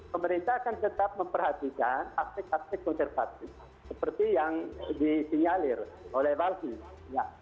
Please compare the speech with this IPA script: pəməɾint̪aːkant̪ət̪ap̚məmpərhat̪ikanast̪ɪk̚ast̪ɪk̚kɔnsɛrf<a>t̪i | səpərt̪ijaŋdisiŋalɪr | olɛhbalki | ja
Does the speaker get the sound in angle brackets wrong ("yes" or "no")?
no